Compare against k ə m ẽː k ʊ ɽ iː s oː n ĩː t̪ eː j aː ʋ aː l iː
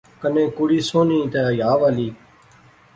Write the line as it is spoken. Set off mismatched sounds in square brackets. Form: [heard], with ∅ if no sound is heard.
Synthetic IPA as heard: k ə [n] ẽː k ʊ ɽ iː s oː n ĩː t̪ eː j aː ʋ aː l iː